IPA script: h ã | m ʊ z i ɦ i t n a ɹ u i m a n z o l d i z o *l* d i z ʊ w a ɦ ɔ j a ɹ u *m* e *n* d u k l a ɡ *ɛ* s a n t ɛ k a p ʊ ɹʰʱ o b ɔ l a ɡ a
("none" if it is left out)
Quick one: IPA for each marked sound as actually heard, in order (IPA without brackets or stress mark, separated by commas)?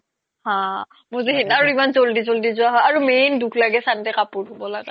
l, m, n, ɛ